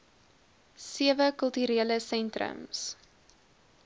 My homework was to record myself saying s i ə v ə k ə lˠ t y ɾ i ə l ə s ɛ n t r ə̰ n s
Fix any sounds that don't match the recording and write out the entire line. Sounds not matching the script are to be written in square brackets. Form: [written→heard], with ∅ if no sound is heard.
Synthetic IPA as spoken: s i ə v ə k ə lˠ t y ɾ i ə l ə s ɛ n t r ə̰ [n→m] s

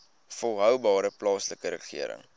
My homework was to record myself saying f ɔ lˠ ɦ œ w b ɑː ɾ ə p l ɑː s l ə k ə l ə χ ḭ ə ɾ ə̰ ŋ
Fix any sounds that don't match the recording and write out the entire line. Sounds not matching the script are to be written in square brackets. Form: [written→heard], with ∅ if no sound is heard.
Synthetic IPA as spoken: f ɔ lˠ ɦ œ w b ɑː ɾ ə p l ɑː s l ə k ə [l→ɾ] ə χ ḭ ə ɾ ə̰ ŋ

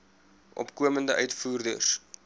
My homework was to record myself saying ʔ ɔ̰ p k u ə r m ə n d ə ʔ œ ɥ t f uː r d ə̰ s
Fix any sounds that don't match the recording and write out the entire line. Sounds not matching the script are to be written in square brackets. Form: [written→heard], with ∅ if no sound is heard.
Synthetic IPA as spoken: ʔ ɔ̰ p k u ə [r→∅] m ə n d ə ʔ œ ɥ t f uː r d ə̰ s

